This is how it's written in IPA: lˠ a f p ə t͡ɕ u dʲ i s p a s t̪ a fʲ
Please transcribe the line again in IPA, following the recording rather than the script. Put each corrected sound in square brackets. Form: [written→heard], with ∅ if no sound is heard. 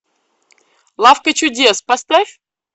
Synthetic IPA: lˠ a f [p→k] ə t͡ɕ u dʲ [i→e] s p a s t̪ a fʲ

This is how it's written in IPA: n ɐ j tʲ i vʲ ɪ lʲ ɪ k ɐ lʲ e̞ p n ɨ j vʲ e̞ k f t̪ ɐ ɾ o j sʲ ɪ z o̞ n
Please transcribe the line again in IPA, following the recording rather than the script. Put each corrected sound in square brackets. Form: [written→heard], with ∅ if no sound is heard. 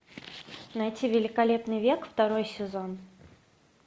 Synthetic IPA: n ɐ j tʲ i vʲ ɪ lʲ ɪ k ɐ lʲ e̞ p n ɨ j vʲ e̞ k f t̪ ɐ ɾ o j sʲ ɪ z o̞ n

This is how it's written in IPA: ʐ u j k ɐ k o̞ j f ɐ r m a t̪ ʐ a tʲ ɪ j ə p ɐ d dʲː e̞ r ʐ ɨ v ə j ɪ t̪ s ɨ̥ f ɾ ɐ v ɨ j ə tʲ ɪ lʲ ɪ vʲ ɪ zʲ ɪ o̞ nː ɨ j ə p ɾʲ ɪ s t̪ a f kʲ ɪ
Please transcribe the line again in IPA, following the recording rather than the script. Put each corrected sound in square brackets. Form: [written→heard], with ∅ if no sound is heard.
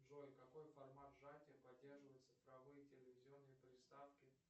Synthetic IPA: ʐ [u→o] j k ɐ k o̞ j f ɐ r m a t̪ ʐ a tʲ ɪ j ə p ɐ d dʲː e̞ r ʐ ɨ v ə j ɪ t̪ s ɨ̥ f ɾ ɐ v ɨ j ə tʲ ɪ lʲ ɪ vʲ ɪ zʲ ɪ o̞ nː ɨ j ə p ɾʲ ɪ s t̪ a f kʲ ɪ

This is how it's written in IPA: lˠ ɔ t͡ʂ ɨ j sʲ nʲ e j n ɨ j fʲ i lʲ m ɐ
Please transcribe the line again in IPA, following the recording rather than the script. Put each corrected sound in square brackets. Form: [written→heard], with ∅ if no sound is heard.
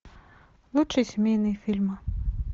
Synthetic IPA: lˠ [ɔ→u] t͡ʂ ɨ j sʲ [nʲ→mʲ] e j n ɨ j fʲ i lʲ m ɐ

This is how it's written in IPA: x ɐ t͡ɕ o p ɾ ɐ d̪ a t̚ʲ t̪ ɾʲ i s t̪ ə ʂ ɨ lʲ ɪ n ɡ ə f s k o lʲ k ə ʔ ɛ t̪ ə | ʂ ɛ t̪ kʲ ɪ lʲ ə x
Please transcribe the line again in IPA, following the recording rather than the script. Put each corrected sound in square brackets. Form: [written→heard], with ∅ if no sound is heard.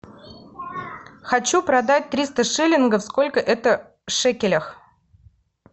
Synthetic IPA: x ɐ t͡ɕ [o→u] p ɾ ɐ d̪ a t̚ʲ t̪ ɾʲ i s t̪ ə ʂ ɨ lʲ ɪ n ɡ ə f s k o lʲ k ə ʔ ɛ t̪ ə | ʂ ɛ [t̪→∅] kʲ ɪ lʲ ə x

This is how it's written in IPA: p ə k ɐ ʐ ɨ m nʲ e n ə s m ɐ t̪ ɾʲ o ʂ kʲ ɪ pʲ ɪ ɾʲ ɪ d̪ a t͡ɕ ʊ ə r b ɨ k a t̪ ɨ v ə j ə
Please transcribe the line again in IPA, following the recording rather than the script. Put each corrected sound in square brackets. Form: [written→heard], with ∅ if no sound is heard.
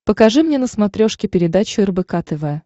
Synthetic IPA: p ə k ɐ ʐ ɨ m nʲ e n ə s m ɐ t̪ ɾʲ o ʂ kʲ ɪ pʲ ɪ ɾʲ ɪ d̪ a t͡ɕ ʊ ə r b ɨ k a t̪ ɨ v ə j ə

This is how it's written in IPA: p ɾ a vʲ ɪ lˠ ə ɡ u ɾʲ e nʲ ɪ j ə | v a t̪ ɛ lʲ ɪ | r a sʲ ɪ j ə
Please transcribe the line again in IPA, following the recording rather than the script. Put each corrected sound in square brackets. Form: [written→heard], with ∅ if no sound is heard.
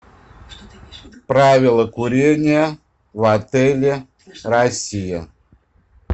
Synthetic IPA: p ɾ a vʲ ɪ lˠ ə [ɡ→k] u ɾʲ e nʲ ɪ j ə | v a t̪ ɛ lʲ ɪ | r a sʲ [ɪ→i] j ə

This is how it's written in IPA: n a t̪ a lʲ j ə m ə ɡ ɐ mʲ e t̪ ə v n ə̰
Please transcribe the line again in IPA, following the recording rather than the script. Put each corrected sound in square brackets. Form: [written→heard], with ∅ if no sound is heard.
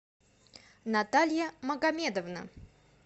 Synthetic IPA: n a t̪ a lʲ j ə m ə ɡ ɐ mʲ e [t̪→d̪] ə v n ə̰

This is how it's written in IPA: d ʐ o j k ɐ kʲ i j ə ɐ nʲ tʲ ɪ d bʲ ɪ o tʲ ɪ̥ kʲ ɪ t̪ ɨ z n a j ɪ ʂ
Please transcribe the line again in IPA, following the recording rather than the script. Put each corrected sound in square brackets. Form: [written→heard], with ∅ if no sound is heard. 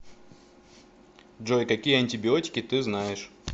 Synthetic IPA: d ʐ o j k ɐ kʲ i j ə ɐ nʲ tʲ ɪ [d→∅] bʲ ɪ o tʲ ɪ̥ kʲ ɪ t̪ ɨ z n a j ɪ ʂ

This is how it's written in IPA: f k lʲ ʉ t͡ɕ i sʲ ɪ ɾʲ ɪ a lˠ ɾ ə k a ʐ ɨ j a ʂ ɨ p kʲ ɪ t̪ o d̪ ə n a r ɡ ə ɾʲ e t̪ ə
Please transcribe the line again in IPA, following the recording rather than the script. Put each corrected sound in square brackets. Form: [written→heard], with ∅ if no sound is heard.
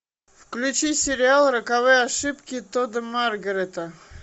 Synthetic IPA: f k lʲ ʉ t͡ɕ i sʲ ɪ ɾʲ ɪ a lˠ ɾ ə k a [ʐ→v] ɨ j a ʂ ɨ p kʲ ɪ t̪ o d̪ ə [n→m] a r ɡ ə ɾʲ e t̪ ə

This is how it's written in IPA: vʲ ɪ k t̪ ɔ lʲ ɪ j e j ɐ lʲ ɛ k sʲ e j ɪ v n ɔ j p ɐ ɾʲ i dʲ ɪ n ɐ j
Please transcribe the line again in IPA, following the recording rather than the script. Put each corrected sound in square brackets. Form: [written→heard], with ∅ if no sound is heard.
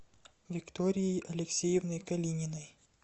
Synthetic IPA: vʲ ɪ k t̪ ɔ [lʲ→ɾʲ] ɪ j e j ɐ lʲ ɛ k sʲ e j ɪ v n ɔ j [p→k] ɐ [ɾʲ→lʲ] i [dʲ→nʲ] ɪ n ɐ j

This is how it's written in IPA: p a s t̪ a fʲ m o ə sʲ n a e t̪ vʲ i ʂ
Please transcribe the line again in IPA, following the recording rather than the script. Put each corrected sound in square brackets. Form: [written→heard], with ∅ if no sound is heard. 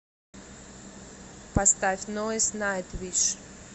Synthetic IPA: p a s t̪ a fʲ [m→n] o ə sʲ n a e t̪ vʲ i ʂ

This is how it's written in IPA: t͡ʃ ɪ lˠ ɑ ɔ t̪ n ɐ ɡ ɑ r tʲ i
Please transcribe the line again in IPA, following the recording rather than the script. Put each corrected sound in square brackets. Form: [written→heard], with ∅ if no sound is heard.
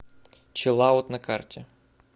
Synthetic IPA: t͡ʃ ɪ lˠ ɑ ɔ t̪ n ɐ [ɡ→k] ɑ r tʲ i

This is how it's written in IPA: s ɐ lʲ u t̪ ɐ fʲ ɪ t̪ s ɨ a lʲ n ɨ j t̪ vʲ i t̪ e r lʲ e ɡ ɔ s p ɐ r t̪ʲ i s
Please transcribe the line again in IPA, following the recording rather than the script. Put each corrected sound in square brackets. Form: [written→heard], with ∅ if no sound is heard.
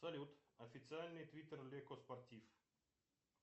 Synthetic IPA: s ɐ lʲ u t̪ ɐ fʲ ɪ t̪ s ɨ a lʲ n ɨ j t̪ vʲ i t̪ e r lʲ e [ɡ→k] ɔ s p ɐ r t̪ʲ i [s→f]

